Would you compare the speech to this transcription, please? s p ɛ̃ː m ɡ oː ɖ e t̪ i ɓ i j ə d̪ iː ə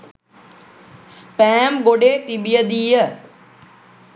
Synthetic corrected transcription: s p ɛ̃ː m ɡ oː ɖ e t̪ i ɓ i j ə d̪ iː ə